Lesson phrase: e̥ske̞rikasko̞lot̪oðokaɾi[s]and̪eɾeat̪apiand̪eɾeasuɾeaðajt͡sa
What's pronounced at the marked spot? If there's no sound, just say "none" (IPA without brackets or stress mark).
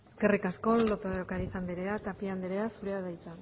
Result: s